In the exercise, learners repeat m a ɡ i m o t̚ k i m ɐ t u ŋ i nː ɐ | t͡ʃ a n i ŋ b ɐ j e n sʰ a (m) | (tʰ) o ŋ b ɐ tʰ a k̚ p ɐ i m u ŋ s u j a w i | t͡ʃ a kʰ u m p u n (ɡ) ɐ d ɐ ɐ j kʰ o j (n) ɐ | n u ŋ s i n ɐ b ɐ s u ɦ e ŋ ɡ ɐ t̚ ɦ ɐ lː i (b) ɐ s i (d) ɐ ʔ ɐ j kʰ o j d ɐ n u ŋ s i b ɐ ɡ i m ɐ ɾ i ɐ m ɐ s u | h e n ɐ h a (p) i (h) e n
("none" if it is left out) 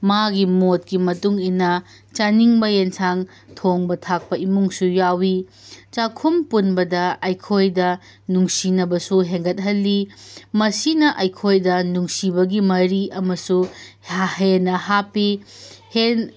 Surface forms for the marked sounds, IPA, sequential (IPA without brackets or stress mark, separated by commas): ŋ, tʰ, b, d, m, n, p, h